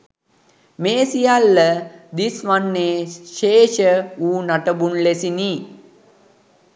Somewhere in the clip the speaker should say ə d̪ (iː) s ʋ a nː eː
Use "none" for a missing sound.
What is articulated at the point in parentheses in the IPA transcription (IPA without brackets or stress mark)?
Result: i